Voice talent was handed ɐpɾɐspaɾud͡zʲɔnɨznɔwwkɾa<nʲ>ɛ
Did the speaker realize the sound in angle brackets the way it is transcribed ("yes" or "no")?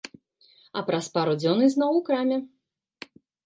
no